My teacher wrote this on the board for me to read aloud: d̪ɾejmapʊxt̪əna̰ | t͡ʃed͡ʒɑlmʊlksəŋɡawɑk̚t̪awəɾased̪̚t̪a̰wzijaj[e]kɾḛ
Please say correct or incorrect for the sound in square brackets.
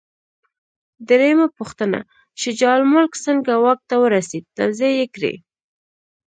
correct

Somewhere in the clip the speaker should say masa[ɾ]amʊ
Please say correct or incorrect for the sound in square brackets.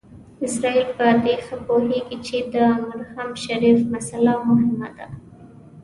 incorrect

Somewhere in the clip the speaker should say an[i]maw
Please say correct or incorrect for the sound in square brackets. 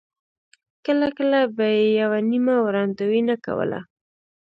correct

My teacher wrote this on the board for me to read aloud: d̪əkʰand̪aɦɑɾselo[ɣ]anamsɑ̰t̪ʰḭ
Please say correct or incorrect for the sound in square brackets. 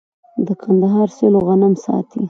correct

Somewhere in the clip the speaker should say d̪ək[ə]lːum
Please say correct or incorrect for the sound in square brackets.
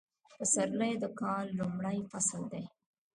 incorrect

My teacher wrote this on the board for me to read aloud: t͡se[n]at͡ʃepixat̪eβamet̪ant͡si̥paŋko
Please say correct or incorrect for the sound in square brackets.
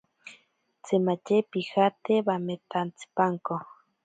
incorrect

